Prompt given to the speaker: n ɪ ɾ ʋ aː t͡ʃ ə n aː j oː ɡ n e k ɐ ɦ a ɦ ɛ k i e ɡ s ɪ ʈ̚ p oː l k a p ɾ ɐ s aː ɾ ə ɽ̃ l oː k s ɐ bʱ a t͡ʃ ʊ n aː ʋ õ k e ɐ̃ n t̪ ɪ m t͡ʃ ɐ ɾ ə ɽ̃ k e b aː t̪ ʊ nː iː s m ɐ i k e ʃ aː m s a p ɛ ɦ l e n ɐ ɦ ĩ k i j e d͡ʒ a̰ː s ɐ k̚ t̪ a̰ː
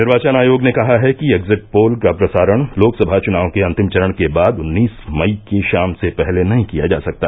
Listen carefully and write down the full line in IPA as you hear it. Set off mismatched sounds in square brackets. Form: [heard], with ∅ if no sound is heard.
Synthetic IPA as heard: n ɪ ɾ ʋ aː t͡ʃ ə n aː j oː ɡ n e k ɐ ɦ a ɦ ɛ k i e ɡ [z] ɪ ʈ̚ p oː l k a p ɾ ɐ s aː ɾ ə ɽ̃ l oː k s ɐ bʱ a t͡ʃ ʊ n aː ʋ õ k e ɐ̃ n t̪ ɪ m t͡ʃ ɐ ɾ ə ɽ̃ k e b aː [d̪] ʊ nː iː s m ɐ i k e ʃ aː m s [e] p ɛ ɦ l e n ɐ ɦ ĩ k i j [a] d͡ʒ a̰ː s ɐ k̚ t̪ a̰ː